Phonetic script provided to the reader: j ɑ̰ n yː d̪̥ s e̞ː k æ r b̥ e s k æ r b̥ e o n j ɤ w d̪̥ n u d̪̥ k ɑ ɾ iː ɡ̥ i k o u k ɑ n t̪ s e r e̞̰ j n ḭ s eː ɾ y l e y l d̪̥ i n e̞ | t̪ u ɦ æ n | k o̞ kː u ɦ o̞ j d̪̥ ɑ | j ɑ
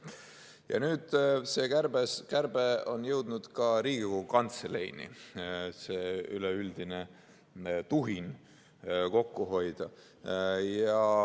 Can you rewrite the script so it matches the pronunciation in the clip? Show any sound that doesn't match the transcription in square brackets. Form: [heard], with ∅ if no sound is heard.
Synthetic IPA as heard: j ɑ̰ n yː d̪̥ s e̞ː k æ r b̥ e s k æ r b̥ e o n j ɤ w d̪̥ n u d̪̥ k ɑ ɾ iː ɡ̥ i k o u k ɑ n t̪ s e [l] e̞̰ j n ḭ s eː [∅] y l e y l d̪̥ i n e̞ | t̪ u ɦ [i] n | k o̞ kː u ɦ o̞ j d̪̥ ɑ | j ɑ